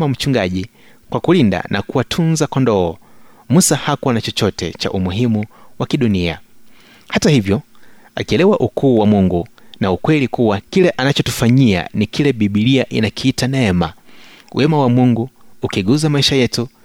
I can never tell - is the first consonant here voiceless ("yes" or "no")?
no